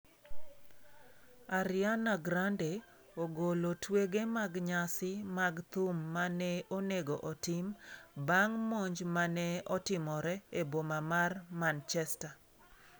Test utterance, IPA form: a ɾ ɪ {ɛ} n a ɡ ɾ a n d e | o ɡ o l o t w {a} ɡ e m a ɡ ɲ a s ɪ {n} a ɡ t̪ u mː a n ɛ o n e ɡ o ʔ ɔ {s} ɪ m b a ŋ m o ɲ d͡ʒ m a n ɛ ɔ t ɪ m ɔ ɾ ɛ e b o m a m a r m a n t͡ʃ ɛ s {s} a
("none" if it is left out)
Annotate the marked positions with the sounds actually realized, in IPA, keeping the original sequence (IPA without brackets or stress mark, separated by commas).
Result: a, e, m, t, t